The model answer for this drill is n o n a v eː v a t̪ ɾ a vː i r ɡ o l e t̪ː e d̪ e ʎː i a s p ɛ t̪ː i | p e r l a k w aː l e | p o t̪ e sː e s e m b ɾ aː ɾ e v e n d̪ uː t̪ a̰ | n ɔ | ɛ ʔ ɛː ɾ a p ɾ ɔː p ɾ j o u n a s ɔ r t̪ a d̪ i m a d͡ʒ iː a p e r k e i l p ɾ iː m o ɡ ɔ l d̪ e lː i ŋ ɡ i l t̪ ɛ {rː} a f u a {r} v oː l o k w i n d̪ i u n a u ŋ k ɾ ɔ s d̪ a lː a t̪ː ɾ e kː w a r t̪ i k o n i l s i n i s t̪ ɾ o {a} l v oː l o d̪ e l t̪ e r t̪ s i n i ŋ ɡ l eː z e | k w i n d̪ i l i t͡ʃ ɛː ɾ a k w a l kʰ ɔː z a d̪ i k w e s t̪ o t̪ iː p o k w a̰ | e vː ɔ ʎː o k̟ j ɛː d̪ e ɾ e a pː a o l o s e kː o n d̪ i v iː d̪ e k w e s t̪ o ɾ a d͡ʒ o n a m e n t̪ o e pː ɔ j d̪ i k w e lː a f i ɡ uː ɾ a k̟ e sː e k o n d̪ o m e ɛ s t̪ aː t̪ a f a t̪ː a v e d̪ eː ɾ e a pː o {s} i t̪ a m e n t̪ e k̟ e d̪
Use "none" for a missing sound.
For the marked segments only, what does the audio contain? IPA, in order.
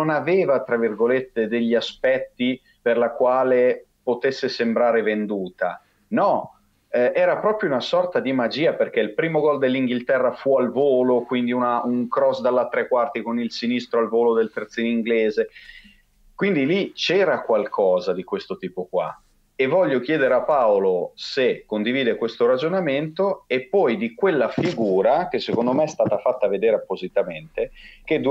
rː, l, a, z

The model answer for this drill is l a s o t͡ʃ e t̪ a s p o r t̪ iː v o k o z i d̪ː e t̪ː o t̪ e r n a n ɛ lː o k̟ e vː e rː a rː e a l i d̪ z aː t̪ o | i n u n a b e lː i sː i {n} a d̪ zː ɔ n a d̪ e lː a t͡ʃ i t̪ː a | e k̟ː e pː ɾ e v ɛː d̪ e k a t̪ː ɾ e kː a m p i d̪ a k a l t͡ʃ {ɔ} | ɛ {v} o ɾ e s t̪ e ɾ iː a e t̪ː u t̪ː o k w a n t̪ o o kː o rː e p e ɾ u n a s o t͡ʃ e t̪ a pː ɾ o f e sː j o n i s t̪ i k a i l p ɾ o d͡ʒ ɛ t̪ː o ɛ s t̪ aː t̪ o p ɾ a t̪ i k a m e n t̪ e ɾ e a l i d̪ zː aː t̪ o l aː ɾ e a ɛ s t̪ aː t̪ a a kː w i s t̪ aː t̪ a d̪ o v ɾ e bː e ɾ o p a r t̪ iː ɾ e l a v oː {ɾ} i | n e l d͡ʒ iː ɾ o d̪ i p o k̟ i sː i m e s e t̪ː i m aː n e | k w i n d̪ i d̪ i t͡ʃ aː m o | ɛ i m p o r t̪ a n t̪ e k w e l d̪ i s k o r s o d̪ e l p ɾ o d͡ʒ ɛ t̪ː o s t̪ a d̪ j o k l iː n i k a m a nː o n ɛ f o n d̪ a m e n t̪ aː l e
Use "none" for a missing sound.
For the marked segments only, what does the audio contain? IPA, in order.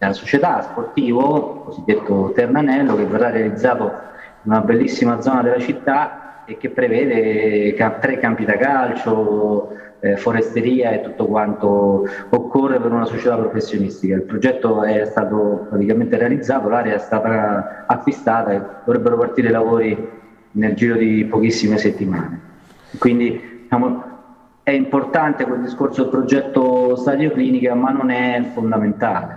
m, o, f, ɾ

